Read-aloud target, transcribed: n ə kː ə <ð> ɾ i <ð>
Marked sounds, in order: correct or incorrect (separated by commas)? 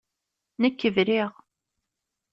incorrect, incorrect